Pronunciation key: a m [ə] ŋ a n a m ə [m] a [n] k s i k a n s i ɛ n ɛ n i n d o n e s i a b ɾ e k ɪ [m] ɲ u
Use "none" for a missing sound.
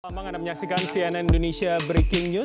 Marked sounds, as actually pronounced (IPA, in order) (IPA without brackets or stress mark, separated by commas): a, ɲ, none, ŋ